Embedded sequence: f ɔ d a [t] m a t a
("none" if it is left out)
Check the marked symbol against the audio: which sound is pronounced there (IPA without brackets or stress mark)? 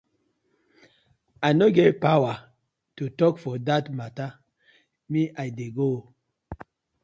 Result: t